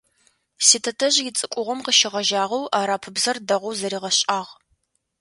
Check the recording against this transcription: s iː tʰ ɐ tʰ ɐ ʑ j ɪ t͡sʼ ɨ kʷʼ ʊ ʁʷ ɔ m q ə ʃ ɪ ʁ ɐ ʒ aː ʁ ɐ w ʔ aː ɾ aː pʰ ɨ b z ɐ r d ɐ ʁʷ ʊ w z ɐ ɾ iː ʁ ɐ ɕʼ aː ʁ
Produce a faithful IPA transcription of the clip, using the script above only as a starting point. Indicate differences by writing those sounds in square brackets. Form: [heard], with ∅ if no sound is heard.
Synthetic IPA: s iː tʰ ɐ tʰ ɐ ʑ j ɪ t͡sʼ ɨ kʷʼ ʊ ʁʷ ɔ m q ə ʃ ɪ ʁ ɐ ʒ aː ʁ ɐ w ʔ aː ɾ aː pʰ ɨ b z ɐ r d ɐ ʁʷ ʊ w z ɐ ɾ iː ʁ ɐ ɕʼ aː ʁ